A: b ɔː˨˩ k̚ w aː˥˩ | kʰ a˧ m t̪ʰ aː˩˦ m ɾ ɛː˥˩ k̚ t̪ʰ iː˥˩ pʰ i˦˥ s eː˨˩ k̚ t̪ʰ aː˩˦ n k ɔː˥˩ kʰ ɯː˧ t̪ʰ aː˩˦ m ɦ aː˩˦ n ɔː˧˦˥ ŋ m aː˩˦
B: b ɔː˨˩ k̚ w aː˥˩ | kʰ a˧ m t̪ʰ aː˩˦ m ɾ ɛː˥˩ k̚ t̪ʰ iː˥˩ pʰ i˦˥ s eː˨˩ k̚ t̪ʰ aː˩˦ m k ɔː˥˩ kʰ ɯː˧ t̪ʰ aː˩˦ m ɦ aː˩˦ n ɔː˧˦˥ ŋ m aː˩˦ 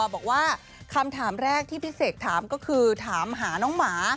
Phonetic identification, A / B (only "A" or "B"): B